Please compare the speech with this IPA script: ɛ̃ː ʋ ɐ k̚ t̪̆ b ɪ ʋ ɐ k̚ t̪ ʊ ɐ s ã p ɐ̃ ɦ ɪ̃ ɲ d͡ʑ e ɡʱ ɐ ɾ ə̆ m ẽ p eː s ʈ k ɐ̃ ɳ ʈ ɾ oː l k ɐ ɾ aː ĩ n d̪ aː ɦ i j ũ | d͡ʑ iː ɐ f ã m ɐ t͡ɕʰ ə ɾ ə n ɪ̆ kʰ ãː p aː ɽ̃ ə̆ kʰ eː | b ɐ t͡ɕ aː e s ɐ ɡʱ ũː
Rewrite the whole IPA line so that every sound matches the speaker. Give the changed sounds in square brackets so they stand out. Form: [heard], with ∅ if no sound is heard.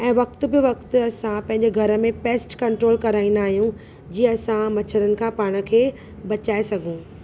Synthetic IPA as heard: ɛ̃ː ʋ ɐ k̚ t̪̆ b ɪ ʋ ɐ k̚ t̪ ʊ ɐ s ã p ɐ̃ ɦ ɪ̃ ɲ d͡ʑ e ɡʱ ɐ ɾ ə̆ m ẽ p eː s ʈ k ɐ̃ ɳ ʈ ɾ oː l k ɐ ɾ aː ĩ n d̪ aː ɦ i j ũ | d͡ʑ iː ɐ [s] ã m ɐ t͡ɕʰ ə ɾ ə n ɪ̆ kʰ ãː p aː ɽ̃ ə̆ kʰ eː | b ɐ t͡ɕ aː e s ɐ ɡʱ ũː